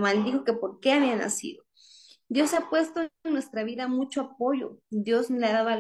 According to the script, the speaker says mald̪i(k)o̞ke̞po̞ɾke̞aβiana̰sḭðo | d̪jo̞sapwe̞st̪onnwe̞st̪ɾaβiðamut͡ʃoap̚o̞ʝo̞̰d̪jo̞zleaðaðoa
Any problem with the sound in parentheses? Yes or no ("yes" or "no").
yes